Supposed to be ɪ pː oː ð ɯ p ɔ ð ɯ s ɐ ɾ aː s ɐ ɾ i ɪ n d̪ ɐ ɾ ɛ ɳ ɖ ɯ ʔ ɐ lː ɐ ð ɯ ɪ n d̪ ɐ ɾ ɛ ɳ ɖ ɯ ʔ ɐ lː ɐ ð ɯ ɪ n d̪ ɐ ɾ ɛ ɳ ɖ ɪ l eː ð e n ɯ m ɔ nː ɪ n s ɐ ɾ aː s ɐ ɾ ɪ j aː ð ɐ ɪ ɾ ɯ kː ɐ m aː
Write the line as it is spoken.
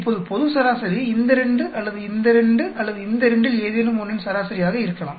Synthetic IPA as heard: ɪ pː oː ð ɯ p ɔ ð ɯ s ɐ ɾ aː s ɐ ɾ i ɪ n d̪ ɐ ɾ ɛ ɳ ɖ ɯ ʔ ɐ lː ɐ ð ɯ ɪ n d̪ ɐ ɾ ɛ ɳ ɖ ɯ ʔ ɐ lː ɐ ð ɯ ɪ n d̪ ɐ ɾ ɛ ɳ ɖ ɪ l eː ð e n ɯ m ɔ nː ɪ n s ɐ ɾ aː s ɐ ɾ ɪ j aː ɣ ɐ ɪ ɾ ɯ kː ɐ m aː